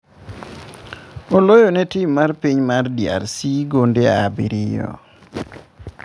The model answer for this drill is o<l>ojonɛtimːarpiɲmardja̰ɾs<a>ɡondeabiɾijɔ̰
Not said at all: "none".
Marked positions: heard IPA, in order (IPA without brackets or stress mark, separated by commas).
l, i